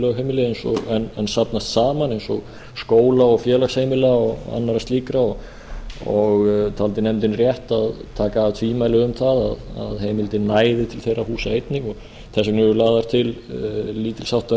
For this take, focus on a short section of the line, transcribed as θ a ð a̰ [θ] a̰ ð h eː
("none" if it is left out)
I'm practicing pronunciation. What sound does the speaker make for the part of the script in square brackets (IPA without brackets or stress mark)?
ð